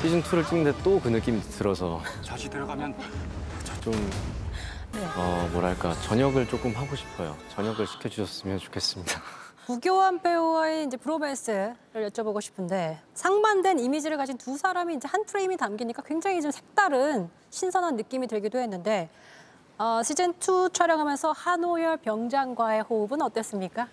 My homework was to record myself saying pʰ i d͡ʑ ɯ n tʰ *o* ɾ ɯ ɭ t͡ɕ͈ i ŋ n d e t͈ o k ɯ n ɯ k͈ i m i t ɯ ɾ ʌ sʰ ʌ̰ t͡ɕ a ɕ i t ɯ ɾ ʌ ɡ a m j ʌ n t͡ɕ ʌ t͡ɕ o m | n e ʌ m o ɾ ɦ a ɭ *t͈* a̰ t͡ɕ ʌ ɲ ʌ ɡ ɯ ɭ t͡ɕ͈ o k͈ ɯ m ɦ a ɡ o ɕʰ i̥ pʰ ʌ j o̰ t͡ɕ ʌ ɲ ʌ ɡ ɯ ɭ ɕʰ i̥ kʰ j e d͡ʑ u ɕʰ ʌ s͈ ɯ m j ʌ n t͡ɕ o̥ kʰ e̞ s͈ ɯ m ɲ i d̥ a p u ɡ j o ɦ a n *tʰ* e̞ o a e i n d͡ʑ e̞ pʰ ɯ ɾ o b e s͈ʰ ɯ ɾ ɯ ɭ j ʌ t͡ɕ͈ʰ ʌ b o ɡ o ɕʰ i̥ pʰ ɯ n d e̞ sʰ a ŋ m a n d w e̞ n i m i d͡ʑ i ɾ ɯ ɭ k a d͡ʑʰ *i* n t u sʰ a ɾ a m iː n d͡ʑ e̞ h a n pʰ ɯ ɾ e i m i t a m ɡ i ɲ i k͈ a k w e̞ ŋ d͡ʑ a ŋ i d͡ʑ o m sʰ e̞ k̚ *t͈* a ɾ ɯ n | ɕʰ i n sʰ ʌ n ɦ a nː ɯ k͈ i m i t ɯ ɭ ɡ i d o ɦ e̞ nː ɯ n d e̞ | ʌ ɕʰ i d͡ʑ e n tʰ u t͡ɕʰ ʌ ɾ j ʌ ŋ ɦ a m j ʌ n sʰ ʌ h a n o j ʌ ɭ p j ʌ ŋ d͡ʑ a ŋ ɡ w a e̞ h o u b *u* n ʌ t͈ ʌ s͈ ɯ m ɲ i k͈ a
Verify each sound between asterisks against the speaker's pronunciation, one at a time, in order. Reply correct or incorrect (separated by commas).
incorrect, incorrect, incorrect, correct, correct, incorrect